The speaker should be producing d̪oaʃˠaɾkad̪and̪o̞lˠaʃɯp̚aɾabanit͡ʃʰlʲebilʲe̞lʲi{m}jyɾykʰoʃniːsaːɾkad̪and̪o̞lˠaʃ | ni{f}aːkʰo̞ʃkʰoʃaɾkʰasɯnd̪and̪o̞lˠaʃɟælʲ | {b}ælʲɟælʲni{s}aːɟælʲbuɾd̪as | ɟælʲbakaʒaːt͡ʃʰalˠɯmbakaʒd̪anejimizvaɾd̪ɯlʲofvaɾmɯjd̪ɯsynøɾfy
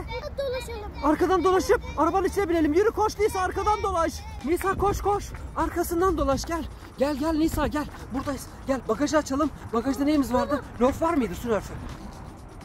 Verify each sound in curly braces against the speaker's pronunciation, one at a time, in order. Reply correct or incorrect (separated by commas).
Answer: correct, incorrect, incorrect, correct